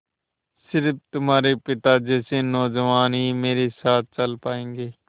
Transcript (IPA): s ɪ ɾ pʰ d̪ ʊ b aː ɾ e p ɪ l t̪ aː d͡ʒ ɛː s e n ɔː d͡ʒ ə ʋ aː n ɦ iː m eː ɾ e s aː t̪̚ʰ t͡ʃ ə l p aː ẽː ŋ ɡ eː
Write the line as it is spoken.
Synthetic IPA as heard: s ɪ ɾ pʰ t̪ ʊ m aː ɾ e p ɪ t̪ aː d͡ʒ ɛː s e n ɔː d͡ʒ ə ʋ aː n ɦ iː m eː ɾ e s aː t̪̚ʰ t͡ʃ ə l p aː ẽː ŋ ɡ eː